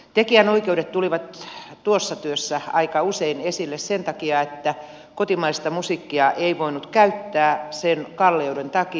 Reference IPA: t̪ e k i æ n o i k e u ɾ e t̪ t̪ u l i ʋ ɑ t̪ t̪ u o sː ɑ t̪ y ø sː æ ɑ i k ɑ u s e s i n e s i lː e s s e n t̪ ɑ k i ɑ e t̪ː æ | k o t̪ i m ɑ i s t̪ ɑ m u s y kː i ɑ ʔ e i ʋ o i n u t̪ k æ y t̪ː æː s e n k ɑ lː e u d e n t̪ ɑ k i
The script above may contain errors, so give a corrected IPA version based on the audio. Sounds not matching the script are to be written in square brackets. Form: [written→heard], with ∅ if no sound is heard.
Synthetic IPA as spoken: t̪ e k i æ n o i k e u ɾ e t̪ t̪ u l i ʋ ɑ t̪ t̪ u o sː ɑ t̪ y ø sː æ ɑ i k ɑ u s e [s→∅] i n e s i lː e s s e n t̪ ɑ k i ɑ e t̪ː æ | k o t̪ i m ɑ i s t̪ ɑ m u s [y→i] kː i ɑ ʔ e i ʋ o i n u t̪ k æ y t̪ː æː s e n k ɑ lː e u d e n t̪ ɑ k i